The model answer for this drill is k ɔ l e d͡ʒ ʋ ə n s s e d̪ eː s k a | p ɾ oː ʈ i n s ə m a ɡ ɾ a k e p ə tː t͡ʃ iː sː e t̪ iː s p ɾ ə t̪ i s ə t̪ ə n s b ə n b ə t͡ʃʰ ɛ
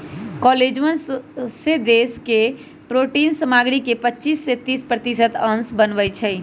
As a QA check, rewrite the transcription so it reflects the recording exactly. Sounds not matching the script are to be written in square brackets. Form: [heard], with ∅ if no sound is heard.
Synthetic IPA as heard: k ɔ l e d͡ʒ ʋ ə n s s e d̪ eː s k [e] | p ɾ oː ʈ i n s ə m a ɡ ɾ [i] k e p ə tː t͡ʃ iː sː e t̪ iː s p ɾ ə t̪ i s ə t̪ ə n s b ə n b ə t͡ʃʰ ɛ